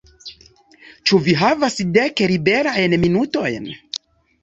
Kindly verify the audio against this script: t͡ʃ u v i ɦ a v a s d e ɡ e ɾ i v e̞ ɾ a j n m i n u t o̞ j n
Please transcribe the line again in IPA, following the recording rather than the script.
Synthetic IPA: t͡ʃ u v i ɦ a v a s d e k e ɾ i b e̞ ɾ a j n m i n u t o̞ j n